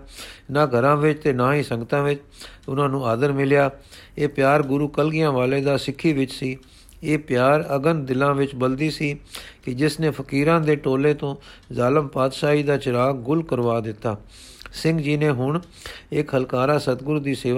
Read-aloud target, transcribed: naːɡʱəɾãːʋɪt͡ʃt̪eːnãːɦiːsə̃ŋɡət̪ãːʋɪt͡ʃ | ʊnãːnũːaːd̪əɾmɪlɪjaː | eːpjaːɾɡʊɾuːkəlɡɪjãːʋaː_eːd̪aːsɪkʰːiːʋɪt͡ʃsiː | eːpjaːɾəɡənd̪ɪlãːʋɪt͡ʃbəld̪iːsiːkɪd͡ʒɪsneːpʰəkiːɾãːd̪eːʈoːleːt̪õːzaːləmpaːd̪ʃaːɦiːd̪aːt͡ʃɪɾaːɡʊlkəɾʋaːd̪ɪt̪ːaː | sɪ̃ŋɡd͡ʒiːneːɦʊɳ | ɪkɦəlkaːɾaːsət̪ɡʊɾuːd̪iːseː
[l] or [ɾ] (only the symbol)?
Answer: l